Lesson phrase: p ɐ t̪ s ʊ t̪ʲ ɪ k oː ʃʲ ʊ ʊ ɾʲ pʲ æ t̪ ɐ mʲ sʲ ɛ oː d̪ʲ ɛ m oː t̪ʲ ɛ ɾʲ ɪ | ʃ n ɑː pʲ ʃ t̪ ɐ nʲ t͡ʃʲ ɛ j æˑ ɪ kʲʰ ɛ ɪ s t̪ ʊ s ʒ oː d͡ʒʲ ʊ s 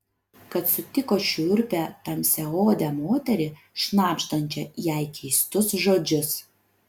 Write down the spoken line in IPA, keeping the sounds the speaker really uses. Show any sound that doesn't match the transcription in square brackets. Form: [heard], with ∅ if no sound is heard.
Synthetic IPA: [k] ɐ t̪ s ʊ t̪ʲ ɪ k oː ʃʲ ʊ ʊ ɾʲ pʲ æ t̪ ɐ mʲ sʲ ɛ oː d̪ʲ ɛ m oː t̪ʲ ɛ ɾʲ ɪ | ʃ n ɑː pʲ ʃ t̪ ɐ nʲ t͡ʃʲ ɛ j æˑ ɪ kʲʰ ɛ ɪ s t̪ ʊ s ʒ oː d͡ʒʲ ʊ s